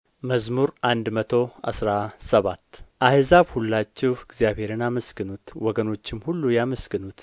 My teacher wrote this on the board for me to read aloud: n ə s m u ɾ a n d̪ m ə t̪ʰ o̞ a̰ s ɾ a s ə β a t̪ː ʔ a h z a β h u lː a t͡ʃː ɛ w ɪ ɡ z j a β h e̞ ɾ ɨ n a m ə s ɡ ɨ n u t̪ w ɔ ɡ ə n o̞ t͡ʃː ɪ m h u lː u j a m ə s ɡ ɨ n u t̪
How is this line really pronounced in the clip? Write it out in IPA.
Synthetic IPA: m ə z m u ɾ a n d̪ m ə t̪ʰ o̞ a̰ s ɾ a s ə β a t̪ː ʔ a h z a β h u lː a t͡ʃː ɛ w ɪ ɡ z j a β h e̞ ɾ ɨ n a m ə s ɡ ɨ n u t̪ w ɔ ɡ ə n o̞ t͡ʃː ɪ m h u lː u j a m ə s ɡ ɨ n u t̪